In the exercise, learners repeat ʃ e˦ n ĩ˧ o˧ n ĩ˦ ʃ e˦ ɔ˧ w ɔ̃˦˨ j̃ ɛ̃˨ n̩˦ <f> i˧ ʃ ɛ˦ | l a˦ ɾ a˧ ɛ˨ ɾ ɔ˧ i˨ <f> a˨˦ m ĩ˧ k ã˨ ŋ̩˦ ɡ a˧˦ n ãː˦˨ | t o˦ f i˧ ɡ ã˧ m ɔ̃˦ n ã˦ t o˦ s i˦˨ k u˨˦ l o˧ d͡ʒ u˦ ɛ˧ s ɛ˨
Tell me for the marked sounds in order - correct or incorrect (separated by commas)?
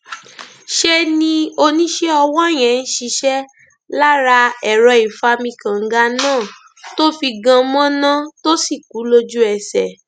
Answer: incorrect, correct